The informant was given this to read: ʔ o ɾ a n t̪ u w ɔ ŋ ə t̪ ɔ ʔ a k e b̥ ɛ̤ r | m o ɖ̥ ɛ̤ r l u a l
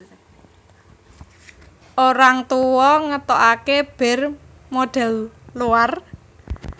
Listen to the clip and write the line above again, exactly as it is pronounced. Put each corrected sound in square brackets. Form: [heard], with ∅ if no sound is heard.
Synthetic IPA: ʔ o ɾ a [ŋ] t̪ u w ɔ ŋ ə t̪ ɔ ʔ a k e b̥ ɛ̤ r | m o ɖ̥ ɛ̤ [l] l u a [r]